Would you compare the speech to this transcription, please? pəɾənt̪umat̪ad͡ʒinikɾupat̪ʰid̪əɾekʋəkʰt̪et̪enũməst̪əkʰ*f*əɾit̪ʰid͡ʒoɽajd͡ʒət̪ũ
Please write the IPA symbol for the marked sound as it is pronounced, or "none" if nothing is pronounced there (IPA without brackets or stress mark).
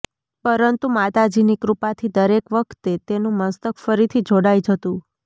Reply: f